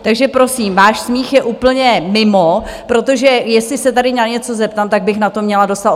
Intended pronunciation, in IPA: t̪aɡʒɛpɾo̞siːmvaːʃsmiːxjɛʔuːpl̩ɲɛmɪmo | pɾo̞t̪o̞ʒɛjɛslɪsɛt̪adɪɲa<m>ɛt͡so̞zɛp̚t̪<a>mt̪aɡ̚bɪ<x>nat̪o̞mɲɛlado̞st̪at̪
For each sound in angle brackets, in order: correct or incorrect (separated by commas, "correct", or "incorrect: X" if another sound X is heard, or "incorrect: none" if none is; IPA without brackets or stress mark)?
incorrect: ɲ, correct, correct